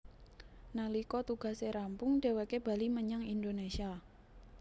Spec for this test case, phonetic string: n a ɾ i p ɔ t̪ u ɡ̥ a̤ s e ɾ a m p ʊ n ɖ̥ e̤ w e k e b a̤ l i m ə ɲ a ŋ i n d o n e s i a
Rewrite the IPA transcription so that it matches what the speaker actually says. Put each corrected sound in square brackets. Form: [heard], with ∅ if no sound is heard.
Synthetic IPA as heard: n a [l] i [k] ɔ t̪ u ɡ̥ a̤ s e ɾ a m p ʊ [ŋ] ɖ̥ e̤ w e k e b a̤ l i m ə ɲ a ŋ i n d o n e s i a